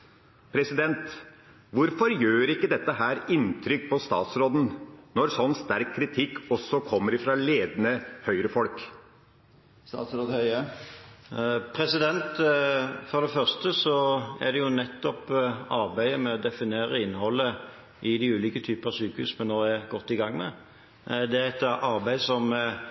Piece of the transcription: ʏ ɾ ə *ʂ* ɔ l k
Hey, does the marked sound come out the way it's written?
no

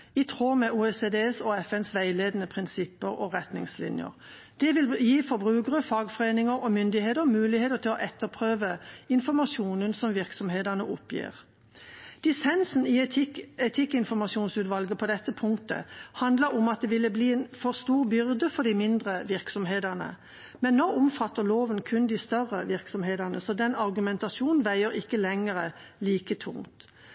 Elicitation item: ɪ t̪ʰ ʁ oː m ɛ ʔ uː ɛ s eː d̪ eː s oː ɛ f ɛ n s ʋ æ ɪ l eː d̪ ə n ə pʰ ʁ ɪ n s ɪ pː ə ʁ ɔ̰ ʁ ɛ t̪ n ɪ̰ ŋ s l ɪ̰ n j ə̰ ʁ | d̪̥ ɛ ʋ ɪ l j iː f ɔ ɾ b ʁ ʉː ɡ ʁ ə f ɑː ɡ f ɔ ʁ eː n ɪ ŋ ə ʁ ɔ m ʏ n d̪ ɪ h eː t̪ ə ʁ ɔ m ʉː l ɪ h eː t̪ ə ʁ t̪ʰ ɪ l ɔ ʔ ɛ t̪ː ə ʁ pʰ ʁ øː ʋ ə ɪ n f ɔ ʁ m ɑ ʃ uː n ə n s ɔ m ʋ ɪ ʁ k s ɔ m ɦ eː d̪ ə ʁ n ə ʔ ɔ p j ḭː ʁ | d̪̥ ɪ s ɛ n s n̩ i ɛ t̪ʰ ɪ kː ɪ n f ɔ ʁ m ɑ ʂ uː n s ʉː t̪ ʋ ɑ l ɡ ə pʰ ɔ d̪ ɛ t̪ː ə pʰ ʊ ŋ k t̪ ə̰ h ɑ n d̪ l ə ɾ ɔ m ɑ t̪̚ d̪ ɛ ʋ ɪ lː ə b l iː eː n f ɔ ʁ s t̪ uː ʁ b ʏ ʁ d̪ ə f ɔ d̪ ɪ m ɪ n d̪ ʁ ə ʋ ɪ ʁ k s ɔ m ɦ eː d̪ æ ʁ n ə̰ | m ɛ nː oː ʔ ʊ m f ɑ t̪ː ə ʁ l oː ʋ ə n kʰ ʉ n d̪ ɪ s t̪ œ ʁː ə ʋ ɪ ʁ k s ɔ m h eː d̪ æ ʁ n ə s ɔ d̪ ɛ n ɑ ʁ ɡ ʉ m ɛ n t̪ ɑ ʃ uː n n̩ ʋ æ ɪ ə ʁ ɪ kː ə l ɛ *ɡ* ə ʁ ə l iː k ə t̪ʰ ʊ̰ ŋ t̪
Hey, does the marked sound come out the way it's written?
no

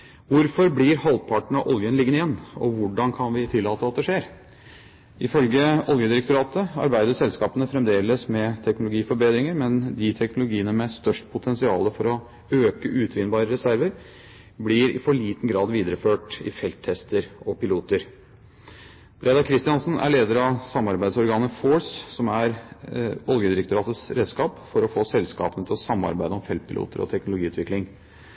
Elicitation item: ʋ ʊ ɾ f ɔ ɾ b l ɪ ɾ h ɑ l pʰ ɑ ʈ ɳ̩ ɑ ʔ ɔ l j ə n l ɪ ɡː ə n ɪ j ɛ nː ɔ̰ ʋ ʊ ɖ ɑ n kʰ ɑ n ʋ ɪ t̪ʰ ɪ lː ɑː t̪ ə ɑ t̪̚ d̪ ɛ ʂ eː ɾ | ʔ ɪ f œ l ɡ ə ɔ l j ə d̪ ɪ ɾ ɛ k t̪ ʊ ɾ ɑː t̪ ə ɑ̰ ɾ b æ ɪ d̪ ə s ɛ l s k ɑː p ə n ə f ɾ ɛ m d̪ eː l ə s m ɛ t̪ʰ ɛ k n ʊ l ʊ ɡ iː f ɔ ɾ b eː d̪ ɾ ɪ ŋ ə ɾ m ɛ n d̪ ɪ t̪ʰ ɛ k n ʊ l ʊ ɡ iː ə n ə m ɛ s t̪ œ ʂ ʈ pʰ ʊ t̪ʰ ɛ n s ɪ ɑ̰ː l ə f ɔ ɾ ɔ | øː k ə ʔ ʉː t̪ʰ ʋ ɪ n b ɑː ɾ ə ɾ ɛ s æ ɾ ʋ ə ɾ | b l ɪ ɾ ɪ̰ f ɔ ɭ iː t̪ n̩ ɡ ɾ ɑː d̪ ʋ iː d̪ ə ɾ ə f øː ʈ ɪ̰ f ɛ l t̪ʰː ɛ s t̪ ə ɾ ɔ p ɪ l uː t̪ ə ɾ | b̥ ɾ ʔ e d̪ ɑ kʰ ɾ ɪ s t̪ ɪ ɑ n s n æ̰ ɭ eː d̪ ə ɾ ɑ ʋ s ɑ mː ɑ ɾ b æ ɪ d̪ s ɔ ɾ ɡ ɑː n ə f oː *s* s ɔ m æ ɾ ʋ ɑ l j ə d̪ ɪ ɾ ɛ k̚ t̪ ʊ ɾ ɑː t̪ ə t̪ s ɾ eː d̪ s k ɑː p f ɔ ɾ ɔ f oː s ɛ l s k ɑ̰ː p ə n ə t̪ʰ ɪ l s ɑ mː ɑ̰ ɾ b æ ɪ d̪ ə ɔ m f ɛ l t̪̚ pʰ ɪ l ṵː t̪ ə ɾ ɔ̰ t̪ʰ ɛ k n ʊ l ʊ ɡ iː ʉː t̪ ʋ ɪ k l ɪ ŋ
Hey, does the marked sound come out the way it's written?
yes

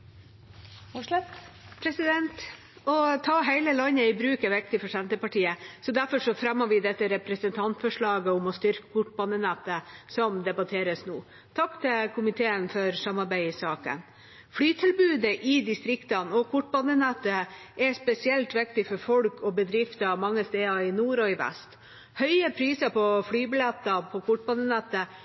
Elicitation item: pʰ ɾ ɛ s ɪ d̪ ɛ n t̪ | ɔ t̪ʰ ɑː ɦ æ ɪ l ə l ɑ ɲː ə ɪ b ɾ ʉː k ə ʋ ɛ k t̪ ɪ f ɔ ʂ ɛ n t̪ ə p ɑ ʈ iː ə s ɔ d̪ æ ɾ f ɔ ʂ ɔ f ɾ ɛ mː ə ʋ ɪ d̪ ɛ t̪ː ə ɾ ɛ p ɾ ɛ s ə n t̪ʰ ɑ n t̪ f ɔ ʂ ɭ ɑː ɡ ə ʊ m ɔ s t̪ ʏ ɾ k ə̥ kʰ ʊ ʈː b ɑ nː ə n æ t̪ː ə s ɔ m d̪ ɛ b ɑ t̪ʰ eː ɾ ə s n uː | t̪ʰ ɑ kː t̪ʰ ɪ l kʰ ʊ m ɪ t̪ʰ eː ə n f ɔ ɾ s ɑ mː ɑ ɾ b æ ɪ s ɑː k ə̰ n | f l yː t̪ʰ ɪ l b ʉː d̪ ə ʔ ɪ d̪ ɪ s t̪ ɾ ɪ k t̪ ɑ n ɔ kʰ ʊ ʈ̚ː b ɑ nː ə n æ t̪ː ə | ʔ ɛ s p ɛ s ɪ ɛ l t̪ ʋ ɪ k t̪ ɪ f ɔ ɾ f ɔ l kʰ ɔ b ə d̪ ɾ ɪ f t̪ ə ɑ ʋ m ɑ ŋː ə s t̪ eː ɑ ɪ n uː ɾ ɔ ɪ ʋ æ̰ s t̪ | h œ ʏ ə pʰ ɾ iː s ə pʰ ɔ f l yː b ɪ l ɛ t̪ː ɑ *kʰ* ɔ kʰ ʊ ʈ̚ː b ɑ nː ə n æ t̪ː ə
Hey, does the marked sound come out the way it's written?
no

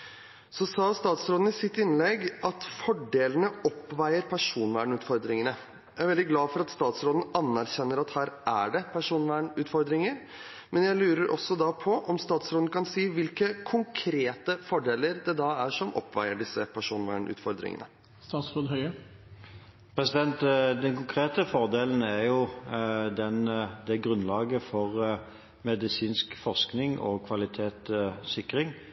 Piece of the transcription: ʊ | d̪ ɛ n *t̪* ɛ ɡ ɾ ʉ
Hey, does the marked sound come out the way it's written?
no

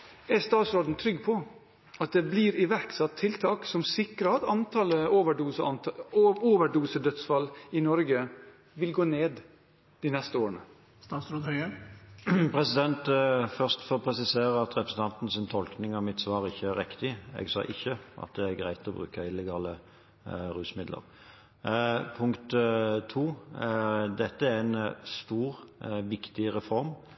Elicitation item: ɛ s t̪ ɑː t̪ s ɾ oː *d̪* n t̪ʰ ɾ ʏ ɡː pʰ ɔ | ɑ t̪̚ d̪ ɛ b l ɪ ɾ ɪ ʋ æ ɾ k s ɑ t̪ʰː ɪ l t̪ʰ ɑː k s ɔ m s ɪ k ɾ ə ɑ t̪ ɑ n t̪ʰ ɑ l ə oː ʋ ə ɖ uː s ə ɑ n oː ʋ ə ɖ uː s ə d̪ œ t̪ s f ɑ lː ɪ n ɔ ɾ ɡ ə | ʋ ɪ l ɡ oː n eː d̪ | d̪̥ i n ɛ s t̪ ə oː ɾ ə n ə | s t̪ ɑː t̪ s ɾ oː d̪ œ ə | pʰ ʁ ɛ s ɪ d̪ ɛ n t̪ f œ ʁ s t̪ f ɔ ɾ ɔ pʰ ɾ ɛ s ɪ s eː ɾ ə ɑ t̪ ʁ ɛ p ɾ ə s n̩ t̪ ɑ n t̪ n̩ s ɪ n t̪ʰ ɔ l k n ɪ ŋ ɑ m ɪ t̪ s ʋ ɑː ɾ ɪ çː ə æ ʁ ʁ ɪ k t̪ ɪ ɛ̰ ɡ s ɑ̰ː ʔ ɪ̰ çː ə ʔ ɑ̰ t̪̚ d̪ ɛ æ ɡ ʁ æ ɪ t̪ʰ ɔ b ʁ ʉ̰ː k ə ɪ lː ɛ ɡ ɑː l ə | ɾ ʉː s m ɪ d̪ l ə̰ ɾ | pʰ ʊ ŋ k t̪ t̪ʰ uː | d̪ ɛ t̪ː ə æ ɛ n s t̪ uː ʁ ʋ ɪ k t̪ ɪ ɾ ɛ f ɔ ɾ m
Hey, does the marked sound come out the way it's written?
yes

